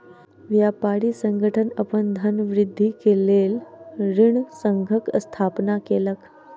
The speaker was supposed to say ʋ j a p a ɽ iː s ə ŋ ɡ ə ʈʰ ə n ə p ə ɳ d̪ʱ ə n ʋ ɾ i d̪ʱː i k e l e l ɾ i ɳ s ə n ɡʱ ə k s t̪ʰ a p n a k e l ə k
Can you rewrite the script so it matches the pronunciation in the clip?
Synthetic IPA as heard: ʋ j a p a ɽ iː s ə ŋ ɡ ə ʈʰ ə n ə p ə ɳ d̪ʱ ə n ʋ ɾ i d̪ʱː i k e l e l ɾ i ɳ s ə ŋ ɡʱ ə k s t̪ʰ a p n a k e l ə k